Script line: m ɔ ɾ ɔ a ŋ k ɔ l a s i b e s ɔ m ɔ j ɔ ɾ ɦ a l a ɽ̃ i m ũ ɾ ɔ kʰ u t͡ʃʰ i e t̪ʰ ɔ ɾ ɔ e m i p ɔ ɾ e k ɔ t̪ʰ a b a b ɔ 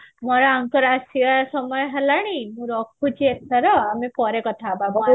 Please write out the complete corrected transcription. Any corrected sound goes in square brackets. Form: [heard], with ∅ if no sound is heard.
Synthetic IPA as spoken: m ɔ ɾ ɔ a ŋ k ɔ [ɾ] a s i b [a] s ɔ m ɔ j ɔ [∅] ɦ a l a ɽ̃ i m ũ ɾ ɔ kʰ u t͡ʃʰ i e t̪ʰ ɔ ɾ ɔ [a] m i p ɔ ɾ e k ɔ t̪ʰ a b a b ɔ